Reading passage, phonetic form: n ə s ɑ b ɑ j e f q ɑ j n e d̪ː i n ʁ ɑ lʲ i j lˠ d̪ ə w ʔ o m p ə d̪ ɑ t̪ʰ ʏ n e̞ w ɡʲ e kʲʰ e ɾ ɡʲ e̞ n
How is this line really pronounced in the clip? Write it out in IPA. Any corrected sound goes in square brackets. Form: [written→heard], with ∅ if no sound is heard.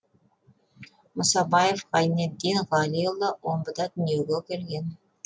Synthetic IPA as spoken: [n→m] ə s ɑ b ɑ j e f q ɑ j n e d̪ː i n ʁ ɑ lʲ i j lˠ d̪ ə w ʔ o m [p→b] ə d̪ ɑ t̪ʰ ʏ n e̞ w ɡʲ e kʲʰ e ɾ ɡʲ e̞ n